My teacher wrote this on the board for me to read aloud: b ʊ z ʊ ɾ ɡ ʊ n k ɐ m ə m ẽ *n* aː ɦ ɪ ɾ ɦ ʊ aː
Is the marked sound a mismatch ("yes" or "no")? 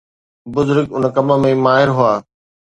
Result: yes